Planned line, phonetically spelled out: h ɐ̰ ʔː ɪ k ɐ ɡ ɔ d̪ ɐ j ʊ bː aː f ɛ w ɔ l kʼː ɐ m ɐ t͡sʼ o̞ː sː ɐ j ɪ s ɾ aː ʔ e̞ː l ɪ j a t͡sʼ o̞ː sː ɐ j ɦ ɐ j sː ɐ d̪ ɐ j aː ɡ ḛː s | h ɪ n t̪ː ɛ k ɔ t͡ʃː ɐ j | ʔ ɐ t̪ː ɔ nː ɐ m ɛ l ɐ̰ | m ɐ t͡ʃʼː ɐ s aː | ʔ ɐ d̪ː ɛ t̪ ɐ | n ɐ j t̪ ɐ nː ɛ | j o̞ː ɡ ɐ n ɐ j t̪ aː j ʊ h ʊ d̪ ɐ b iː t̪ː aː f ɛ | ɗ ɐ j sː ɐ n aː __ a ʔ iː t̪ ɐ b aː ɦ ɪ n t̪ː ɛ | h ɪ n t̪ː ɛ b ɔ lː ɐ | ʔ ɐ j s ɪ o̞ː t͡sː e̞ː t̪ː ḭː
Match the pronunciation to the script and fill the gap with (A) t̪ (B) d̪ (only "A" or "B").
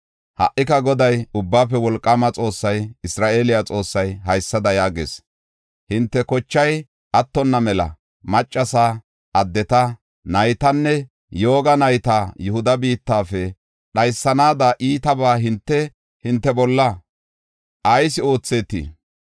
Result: B